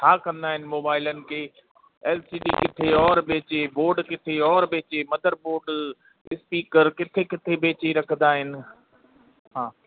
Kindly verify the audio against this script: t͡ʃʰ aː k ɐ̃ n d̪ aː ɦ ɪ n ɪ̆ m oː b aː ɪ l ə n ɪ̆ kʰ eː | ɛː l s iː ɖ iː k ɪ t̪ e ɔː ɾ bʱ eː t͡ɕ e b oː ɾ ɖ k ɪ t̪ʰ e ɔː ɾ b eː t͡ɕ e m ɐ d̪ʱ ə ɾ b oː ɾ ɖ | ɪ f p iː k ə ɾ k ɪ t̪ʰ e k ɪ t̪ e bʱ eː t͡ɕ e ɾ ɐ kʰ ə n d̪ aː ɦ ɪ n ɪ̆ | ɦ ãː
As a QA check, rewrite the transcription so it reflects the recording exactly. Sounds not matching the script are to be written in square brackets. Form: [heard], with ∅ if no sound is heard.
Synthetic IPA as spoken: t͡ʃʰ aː k ɐ̃ n d̪ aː ɦ ɪ n ɪ̆ m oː b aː ɪ l ə n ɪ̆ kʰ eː | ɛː l s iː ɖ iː k ɪ [t̪ʰ] e ɔː ɾ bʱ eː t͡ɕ e b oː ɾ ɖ k ɪ t̪ʰ e ɔː ɾ b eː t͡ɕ e m ɐ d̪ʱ ə ɾ b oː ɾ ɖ | ɪ [s] p iː k ə ɾ k ɪ t̪ʰ e k ɪ [t̪ʰ] e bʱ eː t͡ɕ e ɾ ɐ kʰ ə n d̪ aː ɦ ɪ n ɪ̆ | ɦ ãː